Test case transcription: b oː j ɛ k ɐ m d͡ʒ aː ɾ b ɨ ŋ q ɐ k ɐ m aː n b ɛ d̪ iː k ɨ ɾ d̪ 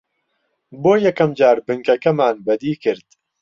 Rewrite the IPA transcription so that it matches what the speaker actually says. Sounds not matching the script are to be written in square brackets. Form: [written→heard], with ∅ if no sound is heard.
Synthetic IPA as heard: b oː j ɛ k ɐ m d͡ʒ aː ɾ b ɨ ŋ [q→k] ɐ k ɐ m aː n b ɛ d̪ iː k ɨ ɾ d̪